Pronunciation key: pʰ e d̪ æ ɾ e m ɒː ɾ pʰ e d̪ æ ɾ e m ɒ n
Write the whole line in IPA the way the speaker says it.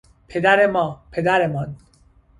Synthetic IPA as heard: pʰ e d̪ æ ɾ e m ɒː pʰ e d̪ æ ɾ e m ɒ n